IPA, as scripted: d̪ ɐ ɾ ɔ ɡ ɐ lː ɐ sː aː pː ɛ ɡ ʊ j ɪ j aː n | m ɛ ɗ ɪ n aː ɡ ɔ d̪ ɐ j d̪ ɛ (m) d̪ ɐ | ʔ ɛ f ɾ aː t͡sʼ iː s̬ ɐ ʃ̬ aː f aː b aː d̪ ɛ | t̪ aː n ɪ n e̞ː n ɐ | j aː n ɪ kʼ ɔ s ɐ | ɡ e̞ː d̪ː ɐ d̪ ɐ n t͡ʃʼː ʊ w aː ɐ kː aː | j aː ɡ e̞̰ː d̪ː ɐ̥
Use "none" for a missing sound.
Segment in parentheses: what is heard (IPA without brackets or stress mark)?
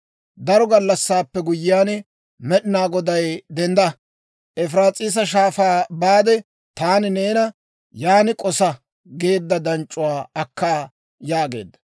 n